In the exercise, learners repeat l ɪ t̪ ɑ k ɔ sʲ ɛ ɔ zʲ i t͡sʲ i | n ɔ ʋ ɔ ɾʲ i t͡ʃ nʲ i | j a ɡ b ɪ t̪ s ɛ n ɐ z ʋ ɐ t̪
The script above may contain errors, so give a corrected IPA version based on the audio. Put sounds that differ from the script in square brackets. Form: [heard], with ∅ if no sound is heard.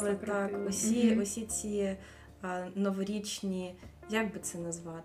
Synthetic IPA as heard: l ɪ t̪ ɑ k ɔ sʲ [i] ɔ [sʲ] i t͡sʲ i | n ɔ ʋ ɔ ɾʲ i t͡ʃ nʲ i | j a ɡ b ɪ t̪ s ɛ n ɐ z ʋ [ɑ] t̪